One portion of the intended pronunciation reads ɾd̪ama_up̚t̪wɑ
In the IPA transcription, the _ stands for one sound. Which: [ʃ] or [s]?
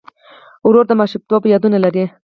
ʃ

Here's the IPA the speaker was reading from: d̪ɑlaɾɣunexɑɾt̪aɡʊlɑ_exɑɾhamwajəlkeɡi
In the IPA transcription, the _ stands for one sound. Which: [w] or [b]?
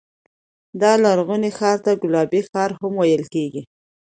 b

